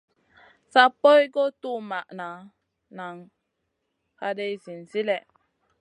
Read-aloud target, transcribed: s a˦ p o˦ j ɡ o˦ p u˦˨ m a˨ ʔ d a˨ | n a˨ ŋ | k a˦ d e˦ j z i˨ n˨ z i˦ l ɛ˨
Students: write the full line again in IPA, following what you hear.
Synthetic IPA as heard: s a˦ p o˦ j ɡ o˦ t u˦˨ m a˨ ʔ n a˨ | n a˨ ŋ | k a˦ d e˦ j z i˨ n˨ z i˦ l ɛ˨

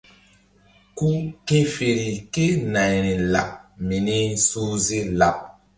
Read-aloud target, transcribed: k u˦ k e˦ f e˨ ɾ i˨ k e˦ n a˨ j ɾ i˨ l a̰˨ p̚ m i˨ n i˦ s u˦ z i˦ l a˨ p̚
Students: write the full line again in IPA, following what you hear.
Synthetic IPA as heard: k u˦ k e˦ f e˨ ɾ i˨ k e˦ n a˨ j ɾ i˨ l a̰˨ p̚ m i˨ n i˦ s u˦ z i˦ l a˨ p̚

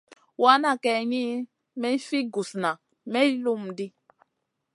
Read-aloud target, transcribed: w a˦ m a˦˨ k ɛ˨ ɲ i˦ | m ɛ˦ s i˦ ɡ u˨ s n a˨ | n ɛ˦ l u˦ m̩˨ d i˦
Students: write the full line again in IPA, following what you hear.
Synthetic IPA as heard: w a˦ n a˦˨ k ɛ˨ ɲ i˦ | m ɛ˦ f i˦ ɡ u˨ s n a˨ | m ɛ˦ l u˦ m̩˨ d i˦

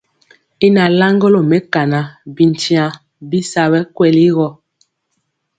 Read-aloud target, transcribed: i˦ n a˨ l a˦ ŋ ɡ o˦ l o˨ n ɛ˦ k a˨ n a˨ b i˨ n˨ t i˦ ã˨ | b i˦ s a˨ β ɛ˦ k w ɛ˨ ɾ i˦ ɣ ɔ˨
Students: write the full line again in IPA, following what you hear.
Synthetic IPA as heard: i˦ n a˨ l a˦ ŋ ɡ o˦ l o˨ m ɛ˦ k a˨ n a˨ b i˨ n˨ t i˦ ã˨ | b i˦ s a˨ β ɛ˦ k w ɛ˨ l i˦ ɣ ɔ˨

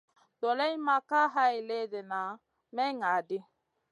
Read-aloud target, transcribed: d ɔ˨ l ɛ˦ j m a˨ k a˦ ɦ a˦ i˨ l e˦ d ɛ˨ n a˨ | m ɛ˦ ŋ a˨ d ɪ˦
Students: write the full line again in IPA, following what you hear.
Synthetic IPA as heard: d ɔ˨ l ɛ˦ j m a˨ k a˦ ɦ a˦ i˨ l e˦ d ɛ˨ n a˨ | m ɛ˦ ŋ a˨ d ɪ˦

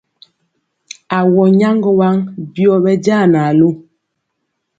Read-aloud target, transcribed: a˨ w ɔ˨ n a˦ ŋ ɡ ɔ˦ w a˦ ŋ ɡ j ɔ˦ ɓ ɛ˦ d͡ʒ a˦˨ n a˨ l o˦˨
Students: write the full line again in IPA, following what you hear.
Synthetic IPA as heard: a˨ w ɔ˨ ɲ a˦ ŋ ɡ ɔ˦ w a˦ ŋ b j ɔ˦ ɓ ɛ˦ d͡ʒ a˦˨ n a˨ l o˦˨

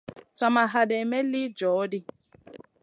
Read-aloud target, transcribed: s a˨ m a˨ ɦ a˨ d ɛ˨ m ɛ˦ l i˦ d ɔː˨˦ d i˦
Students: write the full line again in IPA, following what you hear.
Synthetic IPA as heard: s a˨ m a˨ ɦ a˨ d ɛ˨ m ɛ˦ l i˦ d͡ʒ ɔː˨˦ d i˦

